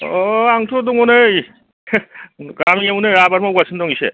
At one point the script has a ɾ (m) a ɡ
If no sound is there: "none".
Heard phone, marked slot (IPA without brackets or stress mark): m